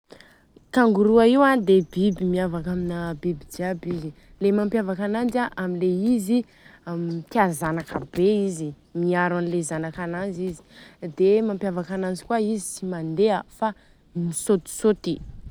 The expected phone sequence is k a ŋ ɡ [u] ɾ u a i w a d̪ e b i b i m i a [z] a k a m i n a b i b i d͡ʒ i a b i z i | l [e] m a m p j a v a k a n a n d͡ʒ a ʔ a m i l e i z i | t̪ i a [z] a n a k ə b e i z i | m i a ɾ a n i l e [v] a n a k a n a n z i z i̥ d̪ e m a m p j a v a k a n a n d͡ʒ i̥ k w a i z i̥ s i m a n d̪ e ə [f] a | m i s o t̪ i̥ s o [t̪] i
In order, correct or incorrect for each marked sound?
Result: correct, incorrect, correct, correct, incorrect, correct, correct

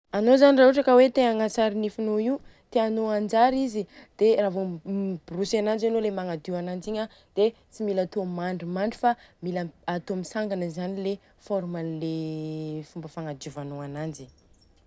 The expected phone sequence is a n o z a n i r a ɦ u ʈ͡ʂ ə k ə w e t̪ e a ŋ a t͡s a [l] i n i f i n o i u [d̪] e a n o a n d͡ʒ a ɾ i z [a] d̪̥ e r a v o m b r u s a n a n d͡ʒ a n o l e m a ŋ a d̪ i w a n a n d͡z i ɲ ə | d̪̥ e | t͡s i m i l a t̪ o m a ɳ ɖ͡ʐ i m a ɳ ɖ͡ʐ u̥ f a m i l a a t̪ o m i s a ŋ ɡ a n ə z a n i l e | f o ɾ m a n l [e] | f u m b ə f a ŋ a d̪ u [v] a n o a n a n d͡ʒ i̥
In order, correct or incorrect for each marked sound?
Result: incorrect, incorrect, incorrect, correct, correct

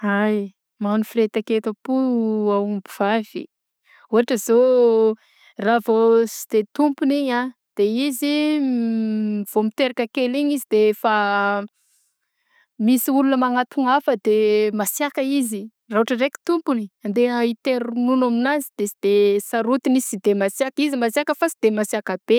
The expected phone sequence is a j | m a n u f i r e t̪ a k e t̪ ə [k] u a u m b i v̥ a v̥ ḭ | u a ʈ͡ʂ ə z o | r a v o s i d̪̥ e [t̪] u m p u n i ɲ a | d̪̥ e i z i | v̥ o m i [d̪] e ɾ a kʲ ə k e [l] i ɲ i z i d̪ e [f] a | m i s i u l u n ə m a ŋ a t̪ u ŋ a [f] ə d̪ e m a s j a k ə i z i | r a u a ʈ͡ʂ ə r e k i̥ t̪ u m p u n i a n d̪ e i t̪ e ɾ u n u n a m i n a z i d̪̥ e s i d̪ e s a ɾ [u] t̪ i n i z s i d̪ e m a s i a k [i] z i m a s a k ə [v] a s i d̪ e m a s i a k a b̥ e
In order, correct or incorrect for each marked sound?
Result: incorrect, correct, incorrect, correct, correct, correct, correct, correct, incorrect

